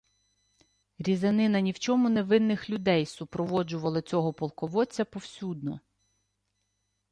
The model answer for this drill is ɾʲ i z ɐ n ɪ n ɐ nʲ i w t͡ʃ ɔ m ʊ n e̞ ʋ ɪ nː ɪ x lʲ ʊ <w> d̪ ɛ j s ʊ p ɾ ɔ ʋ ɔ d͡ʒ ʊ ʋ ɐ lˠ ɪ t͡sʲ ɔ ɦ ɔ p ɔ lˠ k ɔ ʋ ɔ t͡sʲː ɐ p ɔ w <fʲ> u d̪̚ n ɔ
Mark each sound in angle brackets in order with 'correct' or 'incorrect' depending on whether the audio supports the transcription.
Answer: incorrect: none, incorrect: sʲ

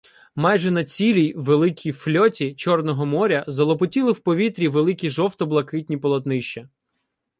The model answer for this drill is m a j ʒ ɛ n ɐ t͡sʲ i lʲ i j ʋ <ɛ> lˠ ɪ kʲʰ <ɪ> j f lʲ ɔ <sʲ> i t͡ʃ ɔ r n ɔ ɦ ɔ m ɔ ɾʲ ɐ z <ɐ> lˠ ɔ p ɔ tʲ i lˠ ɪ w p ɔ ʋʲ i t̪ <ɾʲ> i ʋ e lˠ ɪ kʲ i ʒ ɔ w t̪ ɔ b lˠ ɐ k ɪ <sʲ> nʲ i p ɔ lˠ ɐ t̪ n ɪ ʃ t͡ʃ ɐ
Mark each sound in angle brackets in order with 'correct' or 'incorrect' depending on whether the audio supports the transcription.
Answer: incorrect: e, incorrect: i, incorrect: tʲ, correct, correct, incorrect: tʲ

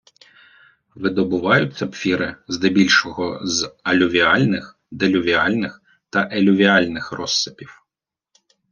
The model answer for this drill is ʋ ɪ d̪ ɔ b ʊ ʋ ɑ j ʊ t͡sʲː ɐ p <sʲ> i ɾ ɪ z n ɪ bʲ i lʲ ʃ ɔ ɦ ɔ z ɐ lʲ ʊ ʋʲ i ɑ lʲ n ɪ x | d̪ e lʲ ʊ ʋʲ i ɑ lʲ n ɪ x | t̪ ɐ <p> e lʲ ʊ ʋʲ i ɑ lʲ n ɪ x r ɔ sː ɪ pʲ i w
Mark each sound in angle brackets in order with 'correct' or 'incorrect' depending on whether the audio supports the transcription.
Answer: incorrect: fʲ, incorrect: ʔ

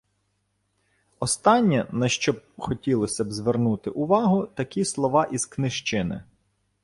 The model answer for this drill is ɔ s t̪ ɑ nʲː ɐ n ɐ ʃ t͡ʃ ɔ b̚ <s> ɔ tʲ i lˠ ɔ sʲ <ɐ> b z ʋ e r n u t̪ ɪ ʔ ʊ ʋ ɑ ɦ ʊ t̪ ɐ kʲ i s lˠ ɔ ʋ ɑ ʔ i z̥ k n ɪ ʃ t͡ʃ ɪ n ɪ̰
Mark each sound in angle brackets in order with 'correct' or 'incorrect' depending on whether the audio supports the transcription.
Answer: incorrect: x, correct

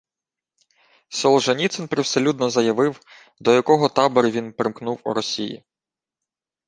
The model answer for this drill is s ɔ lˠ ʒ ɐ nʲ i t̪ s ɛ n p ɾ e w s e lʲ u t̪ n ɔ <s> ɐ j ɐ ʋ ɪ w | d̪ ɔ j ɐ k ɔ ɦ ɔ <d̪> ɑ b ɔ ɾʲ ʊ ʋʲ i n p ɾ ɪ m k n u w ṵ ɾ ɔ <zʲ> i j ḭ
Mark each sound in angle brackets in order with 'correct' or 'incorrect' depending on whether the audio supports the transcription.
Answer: incorrect: z, incorrect: t̪, incorrect: sʲ

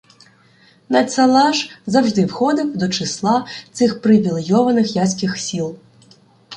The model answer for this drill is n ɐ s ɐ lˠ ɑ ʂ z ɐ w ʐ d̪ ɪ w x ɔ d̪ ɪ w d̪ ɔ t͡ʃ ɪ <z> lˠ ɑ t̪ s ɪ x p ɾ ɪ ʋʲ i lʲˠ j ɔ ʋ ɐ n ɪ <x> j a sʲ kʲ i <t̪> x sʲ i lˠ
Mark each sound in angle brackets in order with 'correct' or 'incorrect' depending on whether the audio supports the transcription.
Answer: incorrect: s, correct, incorrect: none

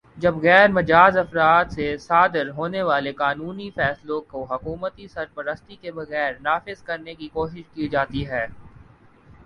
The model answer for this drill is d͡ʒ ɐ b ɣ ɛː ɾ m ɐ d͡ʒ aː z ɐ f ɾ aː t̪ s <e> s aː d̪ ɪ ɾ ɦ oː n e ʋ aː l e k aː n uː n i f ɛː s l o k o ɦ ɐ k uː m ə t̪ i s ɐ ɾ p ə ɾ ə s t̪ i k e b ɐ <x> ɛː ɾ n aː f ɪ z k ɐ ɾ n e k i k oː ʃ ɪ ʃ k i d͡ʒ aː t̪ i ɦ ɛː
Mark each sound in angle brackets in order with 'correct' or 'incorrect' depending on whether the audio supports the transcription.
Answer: correct, incorrect: ɣ

